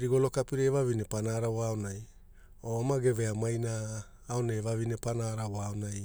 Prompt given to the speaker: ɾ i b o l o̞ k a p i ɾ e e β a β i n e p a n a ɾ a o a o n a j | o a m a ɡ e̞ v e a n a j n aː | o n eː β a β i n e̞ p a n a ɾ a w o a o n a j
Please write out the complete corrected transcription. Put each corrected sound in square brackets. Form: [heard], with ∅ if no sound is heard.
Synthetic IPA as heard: ɾ i [ɡ] o l o̞ k a p i ɾ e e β a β i n e p a n a ɾ a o a o n a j | o a m a ɡ e̞ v e a [m] a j n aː | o n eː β a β i n e̞ p a n a ɾ a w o a o n a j